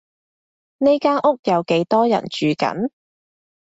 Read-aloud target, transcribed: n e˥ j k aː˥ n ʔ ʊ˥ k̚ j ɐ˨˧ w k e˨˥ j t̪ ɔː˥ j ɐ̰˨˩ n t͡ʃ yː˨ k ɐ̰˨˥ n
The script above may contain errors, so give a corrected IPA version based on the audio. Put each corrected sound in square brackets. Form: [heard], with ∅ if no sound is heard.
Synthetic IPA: n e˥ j k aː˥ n ʔ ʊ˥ k̚ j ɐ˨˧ w k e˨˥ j t̪ ɔː˥ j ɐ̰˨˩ n t͡ʃ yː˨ k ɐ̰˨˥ n